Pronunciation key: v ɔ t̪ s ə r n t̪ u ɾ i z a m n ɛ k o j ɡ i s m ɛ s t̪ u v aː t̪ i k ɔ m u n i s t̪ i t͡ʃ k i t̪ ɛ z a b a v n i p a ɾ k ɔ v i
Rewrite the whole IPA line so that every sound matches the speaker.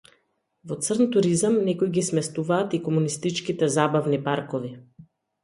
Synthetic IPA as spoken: v ɔ t̪ s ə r n t̪ u ɾ i z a m n ɛ k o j ɡ i s m ɛ s t̪ u v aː t̪ i k ɔ m u n i s t̪ i t͡ʃ k i t̪ ɛ z a b a v n i p a ɾ k ɔ v i